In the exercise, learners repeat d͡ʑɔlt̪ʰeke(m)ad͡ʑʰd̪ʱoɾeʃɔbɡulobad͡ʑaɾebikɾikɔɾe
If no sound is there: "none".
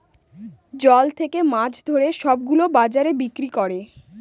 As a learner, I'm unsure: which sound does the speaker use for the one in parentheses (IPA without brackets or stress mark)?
m